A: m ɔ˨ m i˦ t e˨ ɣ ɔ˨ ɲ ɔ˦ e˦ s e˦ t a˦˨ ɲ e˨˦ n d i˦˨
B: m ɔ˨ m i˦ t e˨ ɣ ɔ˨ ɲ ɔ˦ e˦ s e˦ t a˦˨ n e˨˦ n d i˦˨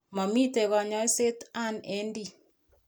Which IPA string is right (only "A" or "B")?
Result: B